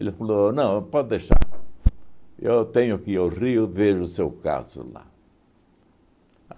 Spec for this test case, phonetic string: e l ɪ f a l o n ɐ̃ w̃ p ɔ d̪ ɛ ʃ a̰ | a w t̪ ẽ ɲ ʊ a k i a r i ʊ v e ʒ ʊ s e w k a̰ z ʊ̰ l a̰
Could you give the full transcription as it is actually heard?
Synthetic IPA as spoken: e l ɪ f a l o n ɐ̃ w̃ p ɔ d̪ e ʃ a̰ | e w t̪ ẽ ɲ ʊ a k i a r i ʊ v e ʒ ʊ s e w k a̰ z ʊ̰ l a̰